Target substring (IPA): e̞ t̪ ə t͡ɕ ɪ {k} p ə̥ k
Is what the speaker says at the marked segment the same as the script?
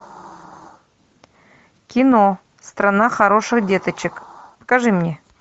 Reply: yes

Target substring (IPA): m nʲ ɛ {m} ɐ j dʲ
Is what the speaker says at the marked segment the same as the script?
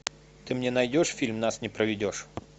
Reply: no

